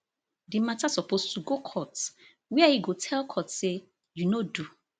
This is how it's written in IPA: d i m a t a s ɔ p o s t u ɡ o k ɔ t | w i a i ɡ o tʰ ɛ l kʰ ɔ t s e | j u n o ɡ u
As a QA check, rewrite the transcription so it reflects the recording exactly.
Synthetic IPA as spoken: d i m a t a s ɔ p o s t u ɡ o kʰ ɔ t | w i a i ɡ o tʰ ɛ l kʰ ɔ t s e | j u n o d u

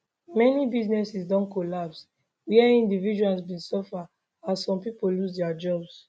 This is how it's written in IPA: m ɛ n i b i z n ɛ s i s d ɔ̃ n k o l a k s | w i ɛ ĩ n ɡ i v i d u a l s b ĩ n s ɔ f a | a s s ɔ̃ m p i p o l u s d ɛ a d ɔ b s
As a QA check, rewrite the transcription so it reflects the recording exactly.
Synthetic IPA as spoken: m ɛ n i b i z n ɛ s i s d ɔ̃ n k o l a p s | w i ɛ ĩ n d i v i d͡ʒ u a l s b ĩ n s ɔ f a | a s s ɔ̃ m p i p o l u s d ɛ a d͡ʒ ɔ b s

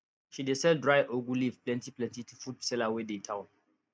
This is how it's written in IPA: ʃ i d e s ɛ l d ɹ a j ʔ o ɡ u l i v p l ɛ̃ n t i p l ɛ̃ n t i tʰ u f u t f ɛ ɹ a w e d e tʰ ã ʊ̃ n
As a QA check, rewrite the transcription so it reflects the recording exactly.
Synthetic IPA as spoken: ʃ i d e s ɛ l d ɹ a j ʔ o ɡ u l i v p l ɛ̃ n t i p l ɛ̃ n t i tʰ u f u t s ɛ l a w e d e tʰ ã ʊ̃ n

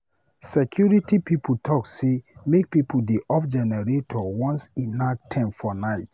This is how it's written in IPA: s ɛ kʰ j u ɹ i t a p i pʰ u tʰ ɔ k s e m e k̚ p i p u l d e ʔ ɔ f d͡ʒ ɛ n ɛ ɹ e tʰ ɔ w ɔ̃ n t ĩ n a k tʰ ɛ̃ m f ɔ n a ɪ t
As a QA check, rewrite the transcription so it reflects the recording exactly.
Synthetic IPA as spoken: s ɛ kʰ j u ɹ i t i p i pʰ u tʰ ɔ k s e m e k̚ p i p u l d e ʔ ɔ f d͡ʒ ɛ n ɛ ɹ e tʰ ɔ w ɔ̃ n s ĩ n a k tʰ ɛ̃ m f ɔ n a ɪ t

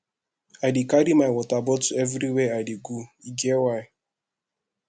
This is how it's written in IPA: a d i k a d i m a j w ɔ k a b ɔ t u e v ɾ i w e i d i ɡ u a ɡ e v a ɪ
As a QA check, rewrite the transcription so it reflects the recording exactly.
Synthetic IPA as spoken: a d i k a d i m a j w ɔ t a b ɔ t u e v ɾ i w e a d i ɡ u i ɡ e w a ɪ

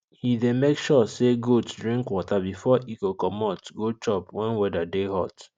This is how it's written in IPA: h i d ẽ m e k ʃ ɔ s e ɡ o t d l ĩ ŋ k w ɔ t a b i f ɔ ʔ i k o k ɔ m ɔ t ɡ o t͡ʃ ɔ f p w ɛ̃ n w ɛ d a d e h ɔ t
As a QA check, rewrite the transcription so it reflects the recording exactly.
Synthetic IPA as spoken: h i d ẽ m e k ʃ ɔ s e ɡ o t d ɹ ĩ ŋ k w ɔ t a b i f ɔ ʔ i k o k ɔ m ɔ t ɡ o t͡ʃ ɔ p w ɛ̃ n w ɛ d a d e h ɔ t

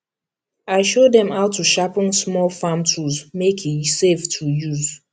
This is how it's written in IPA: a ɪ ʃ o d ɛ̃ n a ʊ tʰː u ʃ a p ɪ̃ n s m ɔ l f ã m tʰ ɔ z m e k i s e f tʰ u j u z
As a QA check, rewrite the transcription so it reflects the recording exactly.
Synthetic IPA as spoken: a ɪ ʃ o d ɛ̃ m a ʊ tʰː u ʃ a p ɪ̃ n s m ɔ l f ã m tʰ u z m e k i s e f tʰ u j u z

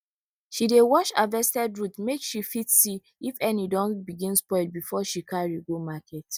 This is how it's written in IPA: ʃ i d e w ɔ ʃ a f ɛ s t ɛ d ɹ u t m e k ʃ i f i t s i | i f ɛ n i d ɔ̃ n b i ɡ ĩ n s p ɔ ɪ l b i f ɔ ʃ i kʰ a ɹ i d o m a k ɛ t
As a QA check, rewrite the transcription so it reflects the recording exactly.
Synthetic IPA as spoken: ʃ i d e w ɔ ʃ a v ɛ s t ɛ d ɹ u t m e k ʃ i f i t s i | i f ɛ n i d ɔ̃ n b i ɡ ĩ n s p ɔ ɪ l b i f ɔ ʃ i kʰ a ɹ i ɡ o m a k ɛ t

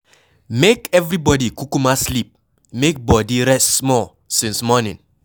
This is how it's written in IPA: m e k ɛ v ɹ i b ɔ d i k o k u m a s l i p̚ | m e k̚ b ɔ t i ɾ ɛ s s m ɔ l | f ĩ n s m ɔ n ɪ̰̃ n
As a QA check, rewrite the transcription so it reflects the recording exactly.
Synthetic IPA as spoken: m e k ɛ v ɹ i b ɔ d i k u k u m a s l i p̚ | m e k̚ b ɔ d i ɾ ɛ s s m ɔ l | s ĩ n s m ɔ n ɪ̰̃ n

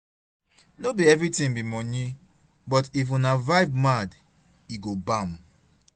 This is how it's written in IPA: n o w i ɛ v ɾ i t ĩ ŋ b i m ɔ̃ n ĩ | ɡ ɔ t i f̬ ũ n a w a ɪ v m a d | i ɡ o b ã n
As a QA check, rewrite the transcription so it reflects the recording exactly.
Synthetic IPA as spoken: n o b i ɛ v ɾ i t ĩ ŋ b i m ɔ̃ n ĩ | b ɔ t i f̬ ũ n a v a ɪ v m a d | i ɡ o b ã m

